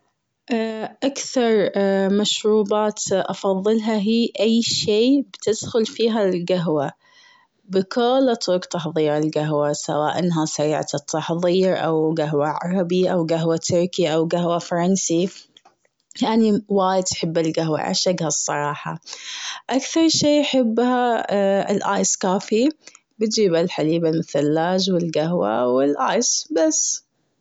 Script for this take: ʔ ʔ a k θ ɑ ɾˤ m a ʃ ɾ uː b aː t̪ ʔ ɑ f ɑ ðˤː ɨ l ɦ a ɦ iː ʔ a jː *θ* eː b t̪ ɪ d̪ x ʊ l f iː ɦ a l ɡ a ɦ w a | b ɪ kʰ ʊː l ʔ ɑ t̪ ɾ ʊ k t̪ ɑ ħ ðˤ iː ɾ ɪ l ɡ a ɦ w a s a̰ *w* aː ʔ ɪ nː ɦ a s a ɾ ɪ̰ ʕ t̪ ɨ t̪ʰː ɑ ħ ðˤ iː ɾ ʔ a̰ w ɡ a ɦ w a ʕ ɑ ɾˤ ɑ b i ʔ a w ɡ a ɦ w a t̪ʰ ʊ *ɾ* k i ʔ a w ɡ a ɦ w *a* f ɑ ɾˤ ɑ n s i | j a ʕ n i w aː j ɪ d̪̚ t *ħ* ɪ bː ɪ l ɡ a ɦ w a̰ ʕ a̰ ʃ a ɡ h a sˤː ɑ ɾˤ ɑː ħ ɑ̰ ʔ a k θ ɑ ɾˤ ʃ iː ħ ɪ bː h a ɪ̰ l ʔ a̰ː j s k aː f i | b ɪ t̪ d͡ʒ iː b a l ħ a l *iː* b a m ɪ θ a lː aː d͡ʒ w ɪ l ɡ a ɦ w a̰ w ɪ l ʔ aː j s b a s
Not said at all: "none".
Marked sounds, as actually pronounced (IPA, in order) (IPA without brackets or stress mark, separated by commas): ʃ, w, ɾ, a, ħ, iː